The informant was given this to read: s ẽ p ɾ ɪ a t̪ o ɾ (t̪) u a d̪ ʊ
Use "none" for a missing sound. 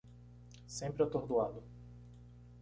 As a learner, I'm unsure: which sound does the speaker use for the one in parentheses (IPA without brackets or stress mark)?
d̪